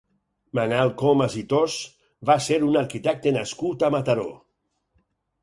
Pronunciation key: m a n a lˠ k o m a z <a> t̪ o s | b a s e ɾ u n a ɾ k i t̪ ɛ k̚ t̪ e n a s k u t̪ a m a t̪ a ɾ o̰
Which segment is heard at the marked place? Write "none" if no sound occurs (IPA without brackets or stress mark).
i